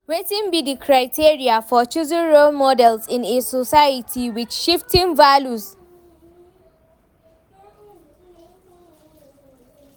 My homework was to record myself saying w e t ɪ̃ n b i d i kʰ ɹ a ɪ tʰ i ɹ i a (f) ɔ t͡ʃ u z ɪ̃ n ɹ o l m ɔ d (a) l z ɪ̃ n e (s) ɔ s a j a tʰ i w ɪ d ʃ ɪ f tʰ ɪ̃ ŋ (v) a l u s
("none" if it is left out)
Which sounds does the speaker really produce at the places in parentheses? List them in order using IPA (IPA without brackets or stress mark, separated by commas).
f, ɛ, s, v